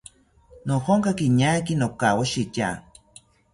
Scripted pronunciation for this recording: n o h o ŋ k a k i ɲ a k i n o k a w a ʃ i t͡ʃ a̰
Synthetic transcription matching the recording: n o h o ŋ k a k i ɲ a k i n o k a w a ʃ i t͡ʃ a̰